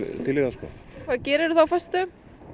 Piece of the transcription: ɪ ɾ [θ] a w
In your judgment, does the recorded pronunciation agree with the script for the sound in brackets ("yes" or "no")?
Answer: yes